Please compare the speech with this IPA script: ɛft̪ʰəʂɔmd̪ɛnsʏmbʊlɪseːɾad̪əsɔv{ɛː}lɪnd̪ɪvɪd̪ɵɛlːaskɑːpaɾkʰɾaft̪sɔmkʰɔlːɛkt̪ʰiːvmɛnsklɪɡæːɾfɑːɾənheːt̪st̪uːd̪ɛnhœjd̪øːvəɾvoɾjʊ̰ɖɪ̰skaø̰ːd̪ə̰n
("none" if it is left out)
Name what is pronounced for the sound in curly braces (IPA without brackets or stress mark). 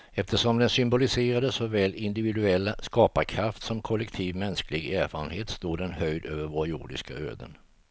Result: ɛː